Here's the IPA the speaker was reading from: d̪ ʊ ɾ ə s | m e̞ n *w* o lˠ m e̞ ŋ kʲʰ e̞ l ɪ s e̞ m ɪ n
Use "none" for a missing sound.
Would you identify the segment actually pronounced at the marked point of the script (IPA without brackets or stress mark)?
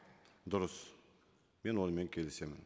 w